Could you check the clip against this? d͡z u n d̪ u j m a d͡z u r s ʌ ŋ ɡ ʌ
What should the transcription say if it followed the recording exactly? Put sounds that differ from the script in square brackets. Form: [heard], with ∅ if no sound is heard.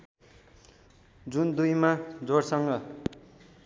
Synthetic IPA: d͡z u n d̪ u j m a d͡z [o] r s ʌ ŋ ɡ ʌ